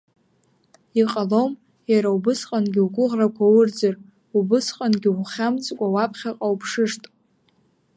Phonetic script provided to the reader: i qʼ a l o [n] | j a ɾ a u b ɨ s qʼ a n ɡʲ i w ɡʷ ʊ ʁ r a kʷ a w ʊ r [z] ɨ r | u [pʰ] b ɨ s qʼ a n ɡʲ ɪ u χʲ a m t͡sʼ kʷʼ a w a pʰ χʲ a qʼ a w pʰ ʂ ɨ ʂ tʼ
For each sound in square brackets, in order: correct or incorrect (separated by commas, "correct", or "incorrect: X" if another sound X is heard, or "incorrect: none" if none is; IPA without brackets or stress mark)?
incorrect: m, incorrect: d͡z, incorrect: none